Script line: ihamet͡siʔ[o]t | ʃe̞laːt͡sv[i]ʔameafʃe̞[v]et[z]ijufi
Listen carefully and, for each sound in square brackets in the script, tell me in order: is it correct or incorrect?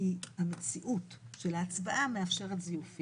incorrect: u, incorrect: a, incorrect: ʁ, correct

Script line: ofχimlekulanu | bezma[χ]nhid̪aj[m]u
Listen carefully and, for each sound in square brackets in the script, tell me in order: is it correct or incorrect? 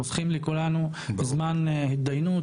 incorrect: none, incorrect: n

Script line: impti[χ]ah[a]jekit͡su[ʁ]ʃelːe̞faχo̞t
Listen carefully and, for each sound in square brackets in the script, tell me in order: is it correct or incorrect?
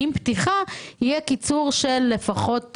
correct, incorrect: i, correct

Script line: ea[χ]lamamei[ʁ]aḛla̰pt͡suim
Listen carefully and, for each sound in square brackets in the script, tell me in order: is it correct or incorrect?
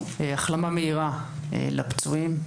correct, correct

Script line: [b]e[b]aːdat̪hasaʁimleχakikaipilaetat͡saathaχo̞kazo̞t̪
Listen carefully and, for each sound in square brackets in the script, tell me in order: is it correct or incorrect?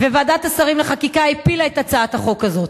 incorrect: v, incorrect: v

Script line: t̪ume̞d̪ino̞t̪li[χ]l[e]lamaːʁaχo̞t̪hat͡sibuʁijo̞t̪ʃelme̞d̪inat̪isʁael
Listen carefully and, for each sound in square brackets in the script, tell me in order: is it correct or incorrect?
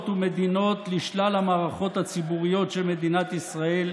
incorrect: ʃ, incorrect: a

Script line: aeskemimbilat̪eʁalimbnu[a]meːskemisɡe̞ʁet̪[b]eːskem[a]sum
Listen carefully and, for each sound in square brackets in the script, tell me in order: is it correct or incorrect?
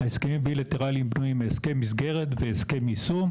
incorrect: i, incorrect: v, incorrect: i

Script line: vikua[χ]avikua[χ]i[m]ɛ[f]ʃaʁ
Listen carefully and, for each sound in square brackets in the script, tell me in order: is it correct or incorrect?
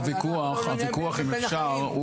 correct, correct, correct, correct

